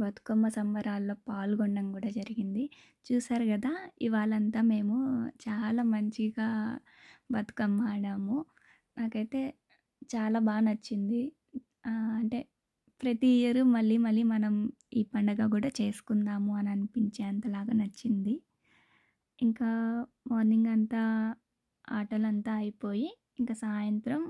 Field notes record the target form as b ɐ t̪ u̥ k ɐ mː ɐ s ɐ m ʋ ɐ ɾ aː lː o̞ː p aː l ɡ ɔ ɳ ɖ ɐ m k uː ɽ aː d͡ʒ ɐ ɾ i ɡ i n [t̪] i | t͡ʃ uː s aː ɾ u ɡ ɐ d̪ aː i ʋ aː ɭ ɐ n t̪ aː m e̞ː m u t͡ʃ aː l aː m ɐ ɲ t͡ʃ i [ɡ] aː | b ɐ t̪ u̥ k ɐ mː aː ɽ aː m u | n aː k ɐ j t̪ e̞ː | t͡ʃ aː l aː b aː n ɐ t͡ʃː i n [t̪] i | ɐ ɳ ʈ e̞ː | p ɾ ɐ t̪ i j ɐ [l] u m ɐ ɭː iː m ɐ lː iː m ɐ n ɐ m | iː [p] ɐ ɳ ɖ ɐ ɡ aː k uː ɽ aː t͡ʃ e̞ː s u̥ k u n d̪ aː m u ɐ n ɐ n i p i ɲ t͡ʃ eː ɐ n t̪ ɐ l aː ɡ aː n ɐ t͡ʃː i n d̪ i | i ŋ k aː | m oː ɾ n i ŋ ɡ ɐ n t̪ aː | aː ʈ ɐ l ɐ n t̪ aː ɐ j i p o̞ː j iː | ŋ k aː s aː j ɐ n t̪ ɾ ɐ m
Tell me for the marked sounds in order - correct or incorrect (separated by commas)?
incorrect, correct, incorrect, incorrect, correct